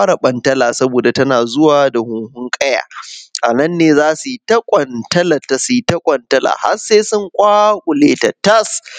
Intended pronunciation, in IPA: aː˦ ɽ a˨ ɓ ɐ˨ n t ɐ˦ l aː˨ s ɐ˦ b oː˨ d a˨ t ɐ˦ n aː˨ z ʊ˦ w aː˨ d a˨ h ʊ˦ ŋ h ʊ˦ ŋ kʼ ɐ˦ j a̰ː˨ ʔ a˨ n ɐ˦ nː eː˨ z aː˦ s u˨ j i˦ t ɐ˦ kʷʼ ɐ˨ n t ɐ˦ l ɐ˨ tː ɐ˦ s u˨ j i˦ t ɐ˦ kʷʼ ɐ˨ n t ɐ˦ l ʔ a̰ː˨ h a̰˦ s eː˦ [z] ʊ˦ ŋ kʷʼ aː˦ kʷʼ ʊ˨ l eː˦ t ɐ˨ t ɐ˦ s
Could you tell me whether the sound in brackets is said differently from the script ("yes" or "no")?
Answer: yes